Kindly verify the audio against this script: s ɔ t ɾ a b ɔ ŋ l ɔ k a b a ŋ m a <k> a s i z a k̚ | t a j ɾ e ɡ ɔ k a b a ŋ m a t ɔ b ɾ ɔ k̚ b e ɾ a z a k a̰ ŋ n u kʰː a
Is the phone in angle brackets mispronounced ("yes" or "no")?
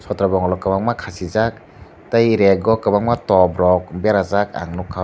yes